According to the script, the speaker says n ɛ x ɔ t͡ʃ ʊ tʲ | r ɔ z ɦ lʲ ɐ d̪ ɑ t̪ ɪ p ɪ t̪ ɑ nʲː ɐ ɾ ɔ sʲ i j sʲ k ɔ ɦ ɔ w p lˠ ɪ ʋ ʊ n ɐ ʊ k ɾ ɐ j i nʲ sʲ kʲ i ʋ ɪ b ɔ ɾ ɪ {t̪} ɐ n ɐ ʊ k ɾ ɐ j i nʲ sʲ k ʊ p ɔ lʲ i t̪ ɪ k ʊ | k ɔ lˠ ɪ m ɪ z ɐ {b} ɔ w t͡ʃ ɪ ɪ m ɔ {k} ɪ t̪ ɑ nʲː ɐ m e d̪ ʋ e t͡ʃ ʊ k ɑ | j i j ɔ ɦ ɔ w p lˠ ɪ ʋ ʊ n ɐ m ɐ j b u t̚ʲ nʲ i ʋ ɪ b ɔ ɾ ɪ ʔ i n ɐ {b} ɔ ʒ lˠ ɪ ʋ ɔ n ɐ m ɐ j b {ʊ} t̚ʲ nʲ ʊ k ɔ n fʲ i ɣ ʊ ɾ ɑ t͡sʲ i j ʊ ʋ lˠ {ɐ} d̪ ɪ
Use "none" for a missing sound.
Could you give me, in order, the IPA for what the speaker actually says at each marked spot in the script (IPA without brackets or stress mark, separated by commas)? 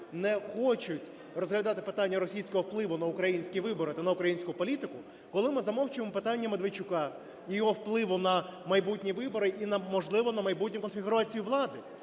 t̪, m, p, m, u, ɑ